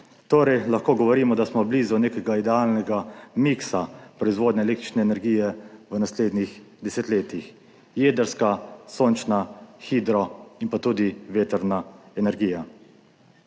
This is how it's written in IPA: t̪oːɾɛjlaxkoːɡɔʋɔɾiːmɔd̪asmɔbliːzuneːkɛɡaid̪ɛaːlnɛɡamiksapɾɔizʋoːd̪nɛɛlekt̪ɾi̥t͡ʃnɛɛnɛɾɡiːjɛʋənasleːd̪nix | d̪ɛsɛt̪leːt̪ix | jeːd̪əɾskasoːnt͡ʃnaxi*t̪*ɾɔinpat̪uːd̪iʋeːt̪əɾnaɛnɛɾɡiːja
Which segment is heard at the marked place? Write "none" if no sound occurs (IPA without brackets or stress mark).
d̪